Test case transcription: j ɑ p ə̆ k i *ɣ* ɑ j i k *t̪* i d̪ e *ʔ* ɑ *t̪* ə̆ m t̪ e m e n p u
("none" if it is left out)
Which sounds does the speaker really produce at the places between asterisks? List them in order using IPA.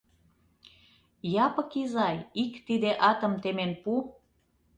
z, t̪, ʔ, t̪

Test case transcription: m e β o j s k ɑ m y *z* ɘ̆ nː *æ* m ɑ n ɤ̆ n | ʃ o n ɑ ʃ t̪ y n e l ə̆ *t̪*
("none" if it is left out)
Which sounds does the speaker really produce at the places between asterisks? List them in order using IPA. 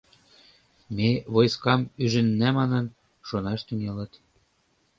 ʒ, æ, t̪

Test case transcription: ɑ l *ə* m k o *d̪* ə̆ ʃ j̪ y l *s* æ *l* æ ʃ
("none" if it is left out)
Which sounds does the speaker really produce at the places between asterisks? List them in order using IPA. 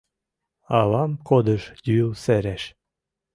ɑ, d̪, s, ɾ

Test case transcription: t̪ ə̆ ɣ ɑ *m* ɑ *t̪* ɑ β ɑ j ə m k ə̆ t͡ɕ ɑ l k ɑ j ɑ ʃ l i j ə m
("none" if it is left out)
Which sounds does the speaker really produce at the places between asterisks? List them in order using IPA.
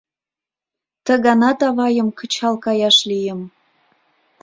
n, t̪

